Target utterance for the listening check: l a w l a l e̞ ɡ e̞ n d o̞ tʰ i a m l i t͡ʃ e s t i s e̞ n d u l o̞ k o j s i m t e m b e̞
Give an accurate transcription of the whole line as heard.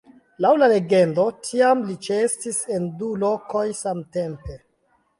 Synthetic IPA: l a w l a l e̞ ɡ e̞ n d o̞ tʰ i a m l i t͡ʃ e s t i s e̞ n d u l o̞ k o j s a m t e m p e̞